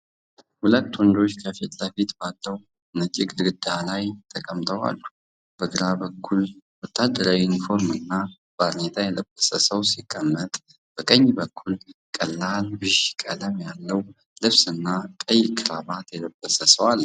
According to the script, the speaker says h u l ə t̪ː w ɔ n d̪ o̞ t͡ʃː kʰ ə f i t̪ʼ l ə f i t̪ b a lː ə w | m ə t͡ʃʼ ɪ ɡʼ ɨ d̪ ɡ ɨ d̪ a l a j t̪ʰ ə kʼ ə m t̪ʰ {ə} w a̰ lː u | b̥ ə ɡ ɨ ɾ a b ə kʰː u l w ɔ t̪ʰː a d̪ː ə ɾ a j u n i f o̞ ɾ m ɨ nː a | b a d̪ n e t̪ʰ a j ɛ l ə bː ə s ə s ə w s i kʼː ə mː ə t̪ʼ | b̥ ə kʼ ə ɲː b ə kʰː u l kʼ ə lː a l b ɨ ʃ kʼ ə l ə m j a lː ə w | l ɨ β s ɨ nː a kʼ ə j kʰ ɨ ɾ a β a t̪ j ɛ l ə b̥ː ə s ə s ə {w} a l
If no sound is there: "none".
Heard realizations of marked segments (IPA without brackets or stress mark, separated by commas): ə, w